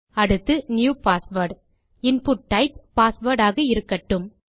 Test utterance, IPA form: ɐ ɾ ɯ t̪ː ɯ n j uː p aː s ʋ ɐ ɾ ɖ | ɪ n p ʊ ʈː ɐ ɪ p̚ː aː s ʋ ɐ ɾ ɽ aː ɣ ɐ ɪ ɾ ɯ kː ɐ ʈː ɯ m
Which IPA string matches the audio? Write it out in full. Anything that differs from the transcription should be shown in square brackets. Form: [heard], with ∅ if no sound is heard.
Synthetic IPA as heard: ɐ [ɽ] ɯ t̪ː ɯ n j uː p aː s ʋ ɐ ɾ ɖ | ɪ n p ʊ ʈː ɐ ɪ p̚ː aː s ʋ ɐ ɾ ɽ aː ɣ ɐ ɪ ɾ ɯ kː ɐ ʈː ɯ m